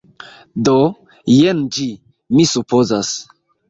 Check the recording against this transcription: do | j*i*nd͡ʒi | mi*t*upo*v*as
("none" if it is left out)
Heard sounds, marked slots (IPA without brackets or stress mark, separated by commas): e, s, z